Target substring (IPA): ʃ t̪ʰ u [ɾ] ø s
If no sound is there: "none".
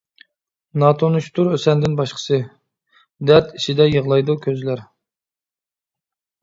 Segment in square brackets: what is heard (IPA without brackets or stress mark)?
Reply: ɾ